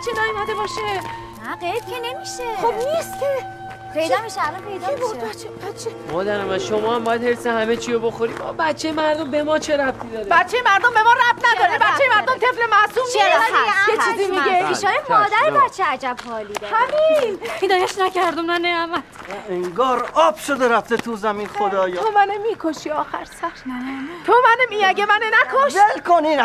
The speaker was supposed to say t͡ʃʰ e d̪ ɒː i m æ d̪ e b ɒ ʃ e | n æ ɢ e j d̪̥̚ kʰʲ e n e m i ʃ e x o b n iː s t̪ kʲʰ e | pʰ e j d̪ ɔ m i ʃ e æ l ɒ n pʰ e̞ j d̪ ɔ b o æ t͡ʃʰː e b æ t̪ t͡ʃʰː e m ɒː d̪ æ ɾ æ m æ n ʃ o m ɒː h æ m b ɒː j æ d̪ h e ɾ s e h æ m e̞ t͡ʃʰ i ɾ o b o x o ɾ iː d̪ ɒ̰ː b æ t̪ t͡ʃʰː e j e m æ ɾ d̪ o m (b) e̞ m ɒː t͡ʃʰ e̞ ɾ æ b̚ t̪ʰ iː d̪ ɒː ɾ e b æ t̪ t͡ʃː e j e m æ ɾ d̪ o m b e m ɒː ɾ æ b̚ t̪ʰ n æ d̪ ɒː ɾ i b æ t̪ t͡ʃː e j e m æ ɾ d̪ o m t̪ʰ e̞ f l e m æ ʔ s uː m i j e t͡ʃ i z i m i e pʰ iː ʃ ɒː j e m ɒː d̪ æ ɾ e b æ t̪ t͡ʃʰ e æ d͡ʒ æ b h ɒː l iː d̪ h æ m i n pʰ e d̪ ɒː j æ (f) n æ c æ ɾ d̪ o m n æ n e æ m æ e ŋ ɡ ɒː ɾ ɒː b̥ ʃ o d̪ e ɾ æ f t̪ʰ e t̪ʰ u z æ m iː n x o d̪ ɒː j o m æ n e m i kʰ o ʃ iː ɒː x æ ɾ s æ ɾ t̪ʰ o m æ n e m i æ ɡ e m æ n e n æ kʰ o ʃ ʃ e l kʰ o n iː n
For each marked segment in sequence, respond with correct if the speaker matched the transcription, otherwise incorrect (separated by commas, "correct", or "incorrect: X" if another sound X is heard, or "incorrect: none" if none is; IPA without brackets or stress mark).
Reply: correct, incorrect: ʃ